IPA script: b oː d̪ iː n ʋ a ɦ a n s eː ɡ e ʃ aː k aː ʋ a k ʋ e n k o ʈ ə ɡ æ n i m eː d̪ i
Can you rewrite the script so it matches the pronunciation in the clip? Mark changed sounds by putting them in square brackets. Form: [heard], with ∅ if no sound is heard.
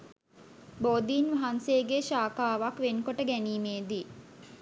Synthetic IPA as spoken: b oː d̪ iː n ʋ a ɦ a n s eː ɡ e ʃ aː k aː ʋ a k ʋ e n k o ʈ ə ɡ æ n [iː] m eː d̪ i